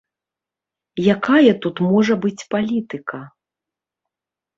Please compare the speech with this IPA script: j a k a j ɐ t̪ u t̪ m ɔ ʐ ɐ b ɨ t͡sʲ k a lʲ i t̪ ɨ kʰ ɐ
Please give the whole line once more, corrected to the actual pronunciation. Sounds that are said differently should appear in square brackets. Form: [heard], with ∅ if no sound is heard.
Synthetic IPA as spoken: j a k a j ɐ t̪ u t̪ m ɔ ʐ ɐ b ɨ t͡sʲ [p] a lʲ i t̪ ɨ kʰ ɐ